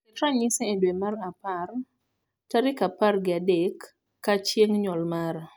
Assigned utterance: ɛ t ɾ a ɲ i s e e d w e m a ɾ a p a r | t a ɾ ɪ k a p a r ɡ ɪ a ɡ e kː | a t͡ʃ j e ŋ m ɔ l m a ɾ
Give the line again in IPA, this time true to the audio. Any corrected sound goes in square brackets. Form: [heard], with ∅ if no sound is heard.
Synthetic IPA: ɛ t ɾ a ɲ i s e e d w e m a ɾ a p a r | t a ɾ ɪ k a p a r ɡ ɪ a [d] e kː | a t͡ʃ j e ŋ [ɲ] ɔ l m a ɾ